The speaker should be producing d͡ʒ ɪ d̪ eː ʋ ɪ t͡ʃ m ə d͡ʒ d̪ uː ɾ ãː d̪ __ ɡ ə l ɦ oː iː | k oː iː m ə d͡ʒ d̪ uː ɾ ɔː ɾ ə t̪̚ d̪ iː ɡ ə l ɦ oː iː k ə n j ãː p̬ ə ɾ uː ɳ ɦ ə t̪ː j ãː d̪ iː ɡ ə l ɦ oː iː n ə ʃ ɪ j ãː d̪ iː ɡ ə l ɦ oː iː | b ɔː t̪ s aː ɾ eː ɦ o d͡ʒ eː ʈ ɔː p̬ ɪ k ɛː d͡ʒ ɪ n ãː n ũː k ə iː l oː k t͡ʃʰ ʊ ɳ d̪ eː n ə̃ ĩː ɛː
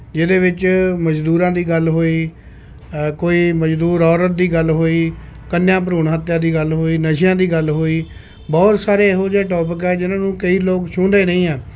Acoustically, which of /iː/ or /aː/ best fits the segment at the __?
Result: iː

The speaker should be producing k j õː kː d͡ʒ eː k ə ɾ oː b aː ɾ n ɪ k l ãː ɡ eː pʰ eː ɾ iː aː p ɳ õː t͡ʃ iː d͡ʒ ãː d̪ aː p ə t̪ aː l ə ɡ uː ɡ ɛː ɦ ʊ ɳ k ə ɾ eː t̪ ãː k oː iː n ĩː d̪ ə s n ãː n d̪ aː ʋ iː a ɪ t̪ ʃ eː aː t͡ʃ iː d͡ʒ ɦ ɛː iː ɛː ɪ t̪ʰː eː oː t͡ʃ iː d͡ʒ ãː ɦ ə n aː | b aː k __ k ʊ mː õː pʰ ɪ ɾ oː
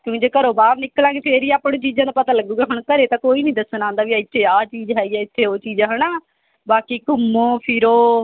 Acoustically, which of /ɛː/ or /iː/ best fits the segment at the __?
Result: iː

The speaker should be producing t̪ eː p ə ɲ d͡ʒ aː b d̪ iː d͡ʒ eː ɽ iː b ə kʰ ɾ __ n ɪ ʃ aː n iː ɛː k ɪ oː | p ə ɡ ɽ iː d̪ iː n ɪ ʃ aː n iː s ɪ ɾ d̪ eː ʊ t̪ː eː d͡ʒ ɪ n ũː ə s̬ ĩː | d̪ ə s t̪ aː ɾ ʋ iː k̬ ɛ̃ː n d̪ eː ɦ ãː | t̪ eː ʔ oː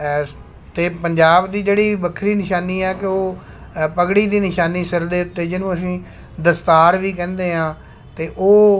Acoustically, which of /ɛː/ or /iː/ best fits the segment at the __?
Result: iː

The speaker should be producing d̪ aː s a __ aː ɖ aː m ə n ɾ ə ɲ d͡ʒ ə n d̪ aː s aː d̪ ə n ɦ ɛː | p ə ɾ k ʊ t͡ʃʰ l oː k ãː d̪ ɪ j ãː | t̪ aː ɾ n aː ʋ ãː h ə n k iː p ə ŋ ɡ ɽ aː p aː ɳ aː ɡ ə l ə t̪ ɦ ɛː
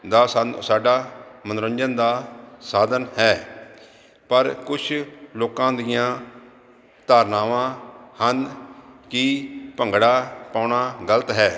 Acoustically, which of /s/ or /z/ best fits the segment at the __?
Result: s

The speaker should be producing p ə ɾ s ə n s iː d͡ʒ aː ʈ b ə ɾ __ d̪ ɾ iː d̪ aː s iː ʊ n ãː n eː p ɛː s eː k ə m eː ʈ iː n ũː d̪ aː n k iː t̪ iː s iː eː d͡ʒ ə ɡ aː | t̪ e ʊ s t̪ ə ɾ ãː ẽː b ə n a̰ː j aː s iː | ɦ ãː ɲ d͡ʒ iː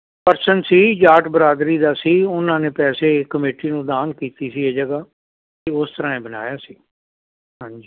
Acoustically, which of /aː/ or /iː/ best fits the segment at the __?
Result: aː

